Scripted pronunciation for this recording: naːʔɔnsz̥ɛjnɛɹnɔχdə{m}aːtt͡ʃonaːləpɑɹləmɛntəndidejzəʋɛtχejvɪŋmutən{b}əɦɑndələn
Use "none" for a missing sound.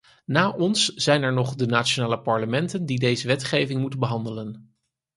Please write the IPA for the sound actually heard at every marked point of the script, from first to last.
n, b

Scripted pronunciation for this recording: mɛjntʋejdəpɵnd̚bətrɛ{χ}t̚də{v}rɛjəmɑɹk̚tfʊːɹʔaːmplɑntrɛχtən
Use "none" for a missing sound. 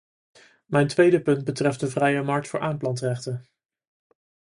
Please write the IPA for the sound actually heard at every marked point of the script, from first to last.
f, v

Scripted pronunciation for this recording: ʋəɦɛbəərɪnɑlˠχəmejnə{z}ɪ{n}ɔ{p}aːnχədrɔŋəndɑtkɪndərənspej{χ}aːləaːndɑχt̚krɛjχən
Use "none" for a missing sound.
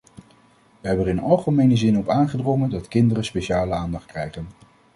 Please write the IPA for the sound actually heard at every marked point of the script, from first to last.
z, n, p, ʃ

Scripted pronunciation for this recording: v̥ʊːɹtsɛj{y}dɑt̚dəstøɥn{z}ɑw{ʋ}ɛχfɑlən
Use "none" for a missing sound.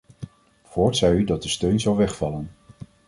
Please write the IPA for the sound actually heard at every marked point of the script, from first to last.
y, z, ʋ

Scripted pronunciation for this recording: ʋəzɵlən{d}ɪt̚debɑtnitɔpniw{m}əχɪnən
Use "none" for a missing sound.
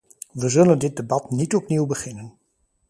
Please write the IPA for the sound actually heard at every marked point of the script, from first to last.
d, b

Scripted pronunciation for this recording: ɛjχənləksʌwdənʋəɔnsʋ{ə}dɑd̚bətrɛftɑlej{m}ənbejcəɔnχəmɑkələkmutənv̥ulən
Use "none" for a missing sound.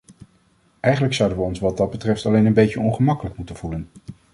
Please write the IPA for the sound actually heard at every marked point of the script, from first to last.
ɑ, n

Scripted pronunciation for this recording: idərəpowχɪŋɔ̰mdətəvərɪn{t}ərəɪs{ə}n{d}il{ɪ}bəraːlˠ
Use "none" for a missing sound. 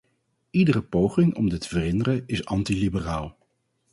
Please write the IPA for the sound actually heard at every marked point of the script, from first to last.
d, ɑ, t, i

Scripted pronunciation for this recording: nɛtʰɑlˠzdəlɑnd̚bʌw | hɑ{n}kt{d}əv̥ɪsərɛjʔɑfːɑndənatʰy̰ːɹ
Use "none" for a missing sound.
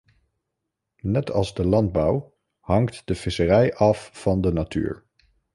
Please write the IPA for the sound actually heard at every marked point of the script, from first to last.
ŋ, d

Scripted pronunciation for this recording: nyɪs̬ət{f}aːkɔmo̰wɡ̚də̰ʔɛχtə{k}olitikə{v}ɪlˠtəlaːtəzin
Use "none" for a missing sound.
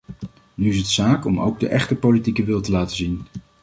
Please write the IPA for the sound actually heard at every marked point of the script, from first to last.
s, p, ʋ

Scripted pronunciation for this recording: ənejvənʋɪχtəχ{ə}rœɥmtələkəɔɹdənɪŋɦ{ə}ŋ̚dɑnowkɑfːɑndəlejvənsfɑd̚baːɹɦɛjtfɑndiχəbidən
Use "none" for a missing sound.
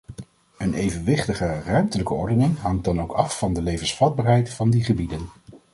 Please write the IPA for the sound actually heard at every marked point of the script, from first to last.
ə, ɑ

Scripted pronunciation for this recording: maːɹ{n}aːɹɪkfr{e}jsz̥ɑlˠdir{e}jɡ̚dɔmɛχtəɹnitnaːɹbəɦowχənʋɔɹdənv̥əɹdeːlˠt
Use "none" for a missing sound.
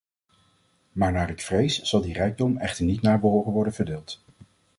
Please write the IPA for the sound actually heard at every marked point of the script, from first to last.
n, e, ɛ

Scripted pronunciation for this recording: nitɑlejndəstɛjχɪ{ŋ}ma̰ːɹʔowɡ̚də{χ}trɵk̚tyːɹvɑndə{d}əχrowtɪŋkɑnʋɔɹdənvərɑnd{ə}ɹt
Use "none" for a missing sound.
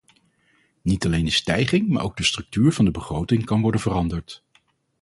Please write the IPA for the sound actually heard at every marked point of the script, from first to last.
ŋ, s, b, ə

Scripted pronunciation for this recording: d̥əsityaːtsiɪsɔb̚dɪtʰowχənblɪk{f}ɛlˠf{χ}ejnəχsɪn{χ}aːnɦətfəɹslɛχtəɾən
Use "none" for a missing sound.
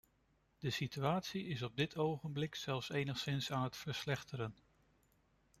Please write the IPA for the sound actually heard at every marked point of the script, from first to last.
s, s, s

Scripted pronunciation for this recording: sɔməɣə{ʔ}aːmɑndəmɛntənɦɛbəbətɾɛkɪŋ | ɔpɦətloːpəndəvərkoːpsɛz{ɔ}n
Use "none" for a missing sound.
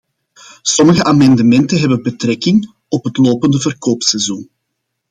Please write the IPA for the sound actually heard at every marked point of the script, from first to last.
ʔ, u

